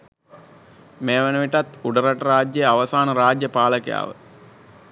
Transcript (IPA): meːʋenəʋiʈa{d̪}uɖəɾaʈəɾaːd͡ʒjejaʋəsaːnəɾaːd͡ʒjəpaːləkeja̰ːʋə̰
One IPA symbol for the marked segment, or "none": t̪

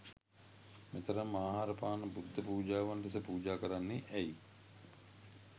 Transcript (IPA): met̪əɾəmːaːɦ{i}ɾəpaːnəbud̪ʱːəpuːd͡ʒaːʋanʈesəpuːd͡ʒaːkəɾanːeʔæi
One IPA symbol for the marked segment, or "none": a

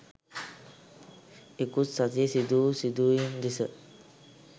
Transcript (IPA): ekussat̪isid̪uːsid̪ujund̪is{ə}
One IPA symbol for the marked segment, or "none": ə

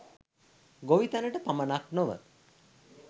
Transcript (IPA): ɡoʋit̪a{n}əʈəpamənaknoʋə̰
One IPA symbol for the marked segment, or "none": n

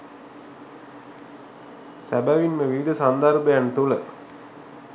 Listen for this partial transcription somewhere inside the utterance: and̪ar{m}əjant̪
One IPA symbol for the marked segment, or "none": b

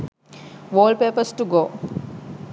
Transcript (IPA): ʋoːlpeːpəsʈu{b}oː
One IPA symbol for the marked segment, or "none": ɡ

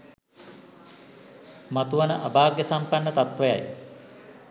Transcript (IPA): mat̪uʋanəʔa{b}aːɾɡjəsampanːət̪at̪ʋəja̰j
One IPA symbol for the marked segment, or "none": b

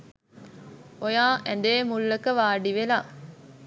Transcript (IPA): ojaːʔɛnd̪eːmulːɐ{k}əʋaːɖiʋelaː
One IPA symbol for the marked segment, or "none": k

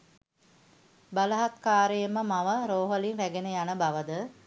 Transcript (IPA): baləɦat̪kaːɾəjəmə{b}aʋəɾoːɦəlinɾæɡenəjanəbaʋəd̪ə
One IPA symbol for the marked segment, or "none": m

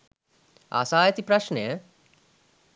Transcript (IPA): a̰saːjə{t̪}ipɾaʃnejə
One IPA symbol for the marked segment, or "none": t̪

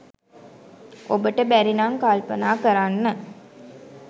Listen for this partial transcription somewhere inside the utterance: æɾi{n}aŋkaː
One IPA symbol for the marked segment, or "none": n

